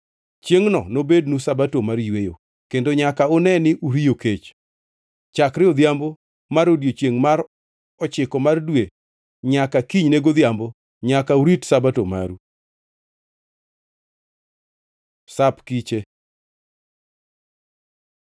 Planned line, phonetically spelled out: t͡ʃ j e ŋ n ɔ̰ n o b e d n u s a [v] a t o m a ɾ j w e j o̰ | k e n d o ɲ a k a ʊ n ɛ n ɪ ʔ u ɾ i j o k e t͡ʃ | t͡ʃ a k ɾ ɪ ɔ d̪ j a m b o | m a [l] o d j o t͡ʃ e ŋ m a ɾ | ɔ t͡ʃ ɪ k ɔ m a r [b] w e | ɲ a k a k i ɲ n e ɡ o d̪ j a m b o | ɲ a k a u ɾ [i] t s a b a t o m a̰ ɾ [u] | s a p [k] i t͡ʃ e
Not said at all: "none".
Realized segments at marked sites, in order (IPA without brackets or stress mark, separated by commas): b, ɾ, d, i, u, k